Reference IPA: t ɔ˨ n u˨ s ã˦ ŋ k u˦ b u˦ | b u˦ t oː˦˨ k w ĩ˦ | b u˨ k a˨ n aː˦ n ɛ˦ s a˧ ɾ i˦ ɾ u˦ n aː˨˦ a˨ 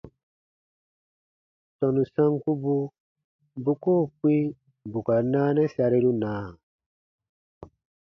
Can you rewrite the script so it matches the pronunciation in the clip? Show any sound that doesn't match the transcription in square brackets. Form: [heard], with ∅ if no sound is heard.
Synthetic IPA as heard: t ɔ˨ n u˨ s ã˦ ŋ k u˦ b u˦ | b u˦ [k] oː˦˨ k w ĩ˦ | b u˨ k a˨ n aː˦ n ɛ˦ s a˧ ɾ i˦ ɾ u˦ n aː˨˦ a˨